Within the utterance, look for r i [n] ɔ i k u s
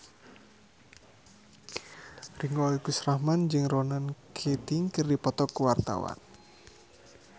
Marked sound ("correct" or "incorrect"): incorrect